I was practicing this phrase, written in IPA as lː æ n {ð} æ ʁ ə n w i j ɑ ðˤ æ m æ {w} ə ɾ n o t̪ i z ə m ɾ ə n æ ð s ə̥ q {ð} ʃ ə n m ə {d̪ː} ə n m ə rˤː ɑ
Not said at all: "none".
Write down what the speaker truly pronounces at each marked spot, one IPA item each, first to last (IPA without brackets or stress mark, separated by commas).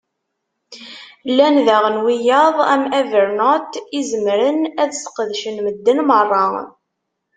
ð, v, ð, d̪ː